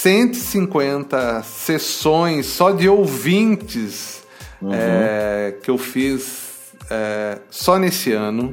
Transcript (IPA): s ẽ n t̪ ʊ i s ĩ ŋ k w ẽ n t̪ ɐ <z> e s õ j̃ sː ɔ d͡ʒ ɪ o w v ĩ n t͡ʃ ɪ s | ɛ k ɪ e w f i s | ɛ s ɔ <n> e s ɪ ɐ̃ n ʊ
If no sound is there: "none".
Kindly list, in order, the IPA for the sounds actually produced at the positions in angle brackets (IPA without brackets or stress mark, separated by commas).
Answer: s, n